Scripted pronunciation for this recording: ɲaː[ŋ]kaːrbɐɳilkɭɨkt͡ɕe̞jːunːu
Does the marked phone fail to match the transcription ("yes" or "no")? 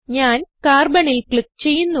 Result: yes